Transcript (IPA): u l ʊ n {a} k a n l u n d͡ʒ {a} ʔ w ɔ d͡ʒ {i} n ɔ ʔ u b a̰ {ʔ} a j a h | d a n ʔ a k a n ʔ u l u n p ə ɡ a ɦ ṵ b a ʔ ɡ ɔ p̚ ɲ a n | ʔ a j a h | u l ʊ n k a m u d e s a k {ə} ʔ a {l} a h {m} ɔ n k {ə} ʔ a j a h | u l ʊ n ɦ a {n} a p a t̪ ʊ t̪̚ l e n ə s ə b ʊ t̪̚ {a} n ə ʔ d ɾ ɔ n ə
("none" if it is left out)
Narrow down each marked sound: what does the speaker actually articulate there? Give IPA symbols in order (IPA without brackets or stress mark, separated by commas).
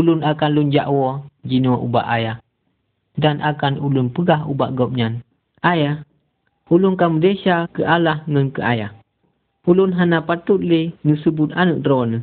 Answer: a, a, i, ʔ, ə, l, ŋ, ə, n, a